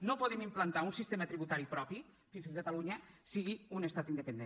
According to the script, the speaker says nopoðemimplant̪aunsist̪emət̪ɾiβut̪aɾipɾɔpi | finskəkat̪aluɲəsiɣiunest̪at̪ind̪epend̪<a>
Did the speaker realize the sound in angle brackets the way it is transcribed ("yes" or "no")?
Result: no